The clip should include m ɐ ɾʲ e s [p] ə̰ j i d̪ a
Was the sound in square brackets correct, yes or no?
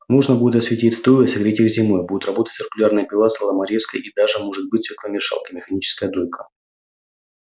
no